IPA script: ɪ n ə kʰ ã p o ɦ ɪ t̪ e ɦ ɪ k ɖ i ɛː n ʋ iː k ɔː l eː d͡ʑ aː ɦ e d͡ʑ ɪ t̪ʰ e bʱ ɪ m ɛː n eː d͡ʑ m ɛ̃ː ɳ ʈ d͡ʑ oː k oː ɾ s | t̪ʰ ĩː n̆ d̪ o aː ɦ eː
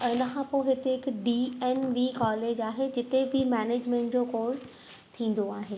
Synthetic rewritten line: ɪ n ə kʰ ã p o ɦ ɪ t̪ e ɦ ɪ k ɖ i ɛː n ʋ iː k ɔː l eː d͡ʑ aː ɦ e d͡ʑ ɪ t̪ e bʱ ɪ m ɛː n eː d͡ʑ m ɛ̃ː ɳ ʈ d͡ʑ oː k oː ɾ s | t̪ʰ ĩː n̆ d̪ o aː ɦ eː

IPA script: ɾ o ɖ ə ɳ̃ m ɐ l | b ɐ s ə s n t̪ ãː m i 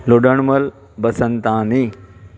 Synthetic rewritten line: l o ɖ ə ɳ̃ m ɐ l | b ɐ s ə n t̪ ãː n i

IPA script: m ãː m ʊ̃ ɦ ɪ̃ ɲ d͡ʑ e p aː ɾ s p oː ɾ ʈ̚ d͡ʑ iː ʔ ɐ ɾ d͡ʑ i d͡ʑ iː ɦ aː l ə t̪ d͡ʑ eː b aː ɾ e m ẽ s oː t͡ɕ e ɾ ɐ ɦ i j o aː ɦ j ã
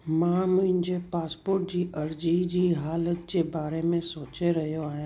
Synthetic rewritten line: m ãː m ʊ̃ ɦ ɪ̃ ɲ d͡ʑ e p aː s p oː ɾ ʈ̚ d͡ʑ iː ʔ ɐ ɾ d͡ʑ i d͡ʑ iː ɦ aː l ə t̪ d͡ʑ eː b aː ɾ e m ẽ s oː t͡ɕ e ɾ ɐ ɦ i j o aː ɦ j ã

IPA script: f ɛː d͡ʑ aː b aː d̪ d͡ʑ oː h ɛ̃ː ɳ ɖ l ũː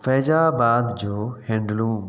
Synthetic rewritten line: f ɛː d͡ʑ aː b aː d̪ d͡ʑ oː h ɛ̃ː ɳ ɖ l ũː

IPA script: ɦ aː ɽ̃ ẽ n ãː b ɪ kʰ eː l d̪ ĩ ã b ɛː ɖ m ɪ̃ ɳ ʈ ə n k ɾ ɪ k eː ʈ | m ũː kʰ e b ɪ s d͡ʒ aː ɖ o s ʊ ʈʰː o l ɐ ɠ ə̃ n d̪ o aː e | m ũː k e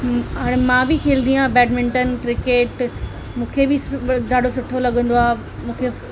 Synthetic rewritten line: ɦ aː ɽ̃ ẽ m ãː b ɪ kʰ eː l d̪ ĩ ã b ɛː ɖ m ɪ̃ ɳ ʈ ə n k ɾ ɪ k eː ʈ | m ũː kʰ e b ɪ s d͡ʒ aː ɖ o s ʊ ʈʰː o l ɐ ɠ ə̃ n d̪ o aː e | m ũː kʰ e

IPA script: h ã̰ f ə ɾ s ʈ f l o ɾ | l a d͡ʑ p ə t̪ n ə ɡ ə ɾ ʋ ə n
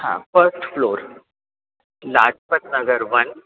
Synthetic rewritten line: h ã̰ f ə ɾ s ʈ f l o ɾ | l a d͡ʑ p ə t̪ n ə ɡ ə ɾ ʋ ə n

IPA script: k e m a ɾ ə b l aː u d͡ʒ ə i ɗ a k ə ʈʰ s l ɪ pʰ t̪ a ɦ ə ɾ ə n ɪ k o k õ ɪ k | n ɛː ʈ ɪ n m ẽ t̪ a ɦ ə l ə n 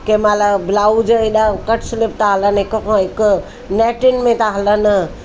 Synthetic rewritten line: k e m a l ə b l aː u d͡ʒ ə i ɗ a k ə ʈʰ s l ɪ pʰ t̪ a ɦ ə l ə n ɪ k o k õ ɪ k | n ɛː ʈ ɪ n m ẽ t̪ a ɦ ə l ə n

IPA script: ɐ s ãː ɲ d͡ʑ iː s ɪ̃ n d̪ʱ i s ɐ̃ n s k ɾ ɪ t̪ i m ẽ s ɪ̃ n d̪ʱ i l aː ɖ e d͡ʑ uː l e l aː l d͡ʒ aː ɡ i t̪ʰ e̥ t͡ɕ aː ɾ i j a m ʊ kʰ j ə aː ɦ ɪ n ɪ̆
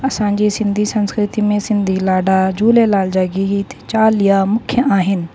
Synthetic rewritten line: ɐ s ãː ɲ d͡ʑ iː s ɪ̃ n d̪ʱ i s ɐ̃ n s k ɾ ɪ t̪ i m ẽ s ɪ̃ n d̪ʱ i l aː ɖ a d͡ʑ uː l e l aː l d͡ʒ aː ɡ i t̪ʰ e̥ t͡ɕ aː l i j a m ʊ kʰ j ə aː ɦ ɪ n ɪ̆

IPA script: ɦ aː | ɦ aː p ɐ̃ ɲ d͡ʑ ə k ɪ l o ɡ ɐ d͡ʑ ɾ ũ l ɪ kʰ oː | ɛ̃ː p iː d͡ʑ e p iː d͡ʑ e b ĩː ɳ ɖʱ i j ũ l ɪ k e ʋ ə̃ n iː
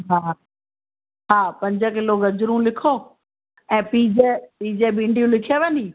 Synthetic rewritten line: ɦ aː | ɦ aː p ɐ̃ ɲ d͡ʑ ə k ɪ l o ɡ ɐ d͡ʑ ɾ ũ l ɪ kʰ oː | ɛ̃ː p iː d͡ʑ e p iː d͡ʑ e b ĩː ɳ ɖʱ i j ũ l ɪ kʰ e ʋ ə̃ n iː

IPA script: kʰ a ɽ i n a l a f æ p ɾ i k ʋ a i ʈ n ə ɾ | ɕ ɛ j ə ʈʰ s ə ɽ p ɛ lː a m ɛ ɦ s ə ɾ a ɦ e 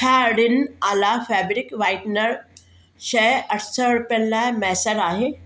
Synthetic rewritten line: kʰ a ɽ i n a l a f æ b ɾ i k ʋ a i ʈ n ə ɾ | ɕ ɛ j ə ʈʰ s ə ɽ p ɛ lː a m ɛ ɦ s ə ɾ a ɦ e

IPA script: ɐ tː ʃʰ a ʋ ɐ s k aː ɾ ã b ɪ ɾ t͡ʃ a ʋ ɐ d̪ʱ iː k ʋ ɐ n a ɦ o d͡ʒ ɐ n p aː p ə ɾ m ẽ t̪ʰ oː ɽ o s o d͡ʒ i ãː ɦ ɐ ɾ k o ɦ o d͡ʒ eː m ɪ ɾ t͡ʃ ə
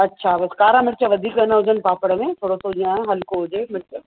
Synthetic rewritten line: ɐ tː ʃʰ a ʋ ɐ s k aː ɾ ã m ɪ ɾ t͡ʃ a ʋ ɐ d̪ʱ iː k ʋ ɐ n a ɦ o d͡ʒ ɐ n p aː p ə ɽ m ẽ t̪ʰ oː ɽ o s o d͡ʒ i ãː ɦ ɐ l k o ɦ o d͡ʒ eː m ɪ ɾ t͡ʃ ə

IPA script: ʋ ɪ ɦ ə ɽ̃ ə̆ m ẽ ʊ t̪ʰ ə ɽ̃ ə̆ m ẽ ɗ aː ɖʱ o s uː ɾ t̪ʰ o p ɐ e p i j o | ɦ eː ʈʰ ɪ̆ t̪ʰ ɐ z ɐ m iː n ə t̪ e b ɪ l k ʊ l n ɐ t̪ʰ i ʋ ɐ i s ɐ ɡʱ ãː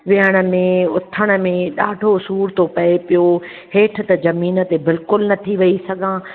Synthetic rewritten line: ʋ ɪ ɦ ə ɽ̃ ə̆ m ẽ ʊ t̪ʰ ə ɽ̃ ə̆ m ẽ ɗ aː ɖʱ o s uː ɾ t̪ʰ o p ɐ e p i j o | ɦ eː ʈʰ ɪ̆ t̪ ɐ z ɐ m iː n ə t̪ e b ɪ l k ʊ l n ɐ t̪ʰ i ʋ ɐ i s ɐ ɡʱ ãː

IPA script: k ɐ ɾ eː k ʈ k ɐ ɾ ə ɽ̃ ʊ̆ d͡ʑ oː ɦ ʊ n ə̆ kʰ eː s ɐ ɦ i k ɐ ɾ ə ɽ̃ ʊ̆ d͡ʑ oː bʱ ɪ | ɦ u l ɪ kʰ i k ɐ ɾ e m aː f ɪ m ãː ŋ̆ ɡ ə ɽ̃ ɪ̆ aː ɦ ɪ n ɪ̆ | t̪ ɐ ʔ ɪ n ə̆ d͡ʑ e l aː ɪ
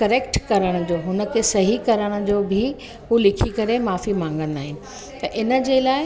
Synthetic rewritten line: k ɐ ɾ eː k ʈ k ɐ ɾ ə ɽ̃ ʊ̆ d͡ʑ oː ɦ ʊ n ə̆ kʰ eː s ɐ ɦ i k ɐ ɾ ə ɽ̃ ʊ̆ d͡ʑ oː bʱ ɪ | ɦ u l ɪ kʰ i k ɐ ɾ e m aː f i m ãː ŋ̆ ɡ ə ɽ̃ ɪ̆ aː ɦ ɪ n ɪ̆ | t̪ ɐ ʔ ɪ n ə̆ d͡ʑ e l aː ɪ

